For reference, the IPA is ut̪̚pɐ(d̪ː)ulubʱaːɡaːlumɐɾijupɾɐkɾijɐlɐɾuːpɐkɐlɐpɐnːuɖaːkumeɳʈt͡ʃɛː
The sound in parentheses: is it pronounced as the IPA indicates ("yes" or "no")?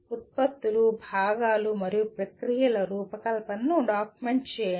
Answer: no